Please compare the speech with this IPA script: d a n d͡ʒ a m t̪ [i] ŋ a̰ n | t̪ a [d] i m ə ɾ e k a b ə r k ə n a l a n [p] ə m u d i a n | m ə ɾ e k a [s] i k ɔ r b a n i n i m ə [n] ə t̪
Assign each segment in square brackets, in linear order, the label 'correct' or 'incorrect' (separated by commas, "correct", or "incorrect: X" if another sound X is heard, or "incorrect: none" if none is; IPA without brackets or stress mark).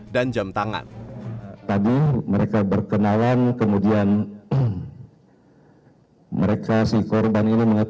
incorrect: a, correct, incorrect: k, correct, incorrect: ŋ